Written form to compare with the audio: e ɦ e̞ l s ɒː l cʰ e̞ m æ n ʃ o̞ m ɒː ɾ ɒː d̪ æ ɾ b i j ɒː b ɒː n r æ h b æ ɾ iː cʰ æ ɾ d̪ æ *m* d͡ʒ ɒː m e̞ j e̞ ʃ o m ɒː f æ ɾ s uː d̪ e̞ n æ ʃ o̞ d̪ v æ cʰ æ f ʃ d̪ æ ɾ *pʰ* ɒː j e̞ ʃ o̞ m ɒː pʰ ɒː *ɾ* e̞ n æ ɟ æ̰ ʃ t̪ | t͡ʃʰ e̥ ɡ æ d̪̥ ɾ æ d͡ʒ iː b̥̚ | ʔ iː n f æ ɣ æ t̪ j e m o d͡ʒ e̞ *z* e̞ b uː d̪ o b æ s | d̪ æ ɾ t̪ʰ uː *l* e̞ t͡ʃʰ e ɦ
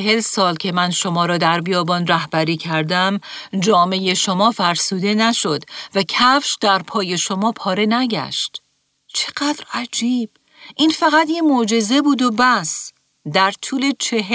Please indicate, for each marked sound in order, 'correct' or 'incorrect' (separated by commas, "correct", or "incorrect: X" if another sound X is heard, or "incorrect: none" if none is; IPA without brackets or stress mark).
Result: correct, correct, correct, correct, correct